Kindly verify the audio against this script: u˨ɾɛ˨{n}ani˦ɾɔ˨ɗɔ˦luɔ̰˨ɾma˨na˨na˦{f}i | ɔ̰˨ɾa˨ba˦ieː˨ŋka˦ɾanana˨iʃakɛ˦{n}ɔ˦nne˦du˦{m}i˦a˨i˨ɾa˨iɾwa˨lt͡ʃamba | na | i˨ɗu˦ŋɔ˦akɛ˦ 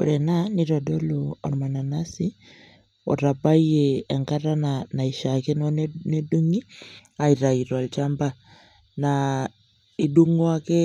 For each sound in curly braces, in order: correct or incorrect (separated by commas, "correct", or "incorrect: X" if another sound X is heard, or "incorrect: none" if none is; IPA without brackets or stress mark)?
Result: correct, incorrect: s, correct, incorrect: ŋ